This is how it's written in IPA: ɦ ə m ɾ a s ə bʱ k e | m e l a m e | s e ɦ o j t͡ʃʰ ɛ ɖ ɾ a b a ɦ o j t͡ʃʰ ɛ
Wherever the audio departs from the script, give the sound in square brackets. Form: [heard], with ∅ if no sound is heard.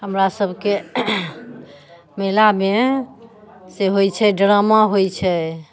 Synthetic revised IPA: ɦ ə m ɾ a s ə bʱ k e | m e l a m e | s e ɦ o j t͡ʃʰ ɛ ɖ ɾ a [m] a ɦ o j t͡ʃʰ ɛ